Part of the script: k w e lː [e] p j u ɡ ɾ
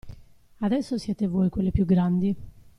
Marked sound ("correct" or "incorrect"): correct